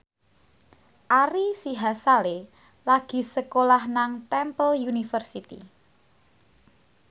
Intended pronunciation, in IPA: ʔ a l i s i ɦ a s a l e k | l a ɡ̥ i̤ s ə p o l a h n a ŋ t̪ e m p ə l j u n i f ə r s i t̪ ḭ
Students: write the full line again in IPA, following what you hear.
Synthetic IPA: ʔ a ɾ i s i ɦ a s a l e | l a ɡ̥ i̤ s ə k o l a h n a ŋ t̪ ɛ m p ə l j u n i f ə r s i t̪ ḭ